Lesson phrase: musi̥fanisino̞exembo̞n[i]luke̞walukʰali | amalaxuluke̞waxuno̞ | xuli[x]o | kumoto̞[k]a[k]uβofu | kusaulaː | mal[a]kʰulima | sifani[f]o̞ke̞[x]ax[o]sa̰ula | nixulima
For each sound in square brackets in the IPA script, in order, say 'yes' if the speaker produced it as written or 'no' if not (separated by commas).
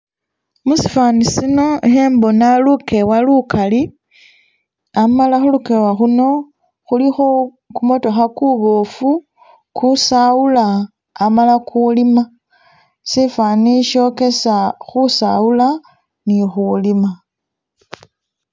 no, yes, no, yes, yes, no, no, no